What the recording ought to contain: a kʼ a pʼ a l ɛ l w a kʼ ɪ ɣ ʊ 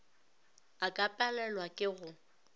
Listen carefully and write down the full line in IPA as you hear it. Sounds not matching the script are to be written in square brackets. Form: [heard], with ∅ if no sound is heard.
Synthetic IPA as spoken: a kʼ a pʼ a l ɛ l w a kʼ ɪ ɣ ʊ